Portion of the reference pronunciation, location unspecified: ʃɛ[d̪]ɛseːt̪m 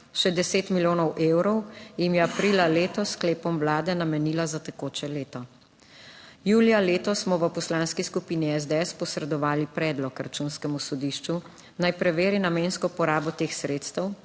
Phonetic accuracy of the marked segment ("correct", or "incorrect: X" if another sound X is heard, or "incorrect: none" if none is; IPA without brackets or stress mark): correct